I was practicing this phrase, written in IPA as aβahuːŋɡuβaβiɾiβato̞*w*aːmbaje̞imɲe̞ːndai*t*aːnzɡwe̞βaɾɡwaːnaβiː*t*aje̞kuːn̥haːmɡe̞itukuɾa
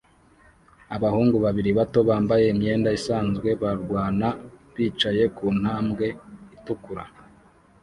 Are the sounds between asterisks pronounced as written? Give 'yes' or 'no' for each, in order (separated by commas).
no, no, no